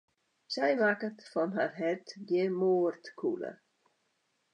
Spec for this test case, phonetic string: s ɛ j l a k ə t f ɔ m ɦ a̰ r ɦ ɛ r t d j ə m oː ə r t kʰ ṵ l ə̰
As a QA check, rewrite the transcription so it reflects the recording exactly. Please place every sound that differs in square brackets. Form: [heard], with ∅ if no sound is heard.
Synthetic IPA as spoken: s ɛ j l a k ə t f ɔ [n] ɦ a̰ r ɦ ɛ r t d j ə m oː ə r t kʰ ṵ l ə̰